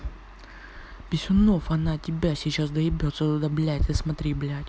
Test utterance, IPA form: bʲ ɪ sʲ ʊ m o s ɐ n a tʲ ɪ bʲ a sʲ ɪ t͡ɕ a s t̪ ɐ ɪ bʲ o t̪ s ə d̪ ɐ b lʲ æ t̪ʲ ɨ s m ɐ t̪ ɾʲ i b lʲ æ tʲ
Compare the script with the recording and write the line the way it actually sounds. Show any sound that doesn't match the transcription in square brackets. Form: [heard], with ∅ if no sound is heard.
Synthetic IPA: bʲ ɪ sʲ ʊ [n] o [f] ɐ n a tʲ ɪ bʲ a sʲ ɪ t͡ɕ a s [d̪] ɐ ɪ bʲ o t̪ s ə d̪ ɐ b lʲ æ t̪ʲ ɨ s m ɐ t̪ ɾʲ i b lʲ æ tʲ